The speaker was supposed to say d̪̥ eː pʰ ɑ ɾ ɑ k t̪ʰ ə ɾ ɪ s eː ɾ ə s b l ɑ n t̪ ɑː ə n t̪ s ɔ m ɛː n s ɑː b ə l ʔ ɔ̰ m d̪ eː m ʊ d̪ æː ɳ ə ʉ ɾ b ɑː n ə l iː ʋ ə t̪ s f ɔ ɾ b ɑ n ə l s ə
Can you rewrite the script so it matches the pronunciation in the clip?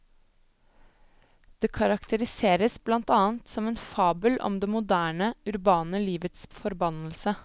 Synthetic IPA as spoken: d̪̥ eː kʰ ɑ ɾ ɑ k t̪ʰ ə ɾ ɪ s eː ɾ ə s b l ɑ n t̪ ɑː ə n t̪ s ɔ m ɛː n f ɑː b ə l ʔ ɔ̰ m d̪ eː m ʊ d̪ æː ɳ ə ʉ ɾ b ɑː n ə l iː ʋ ə t̪ s f ɔ ɾ b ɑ n ə l s ə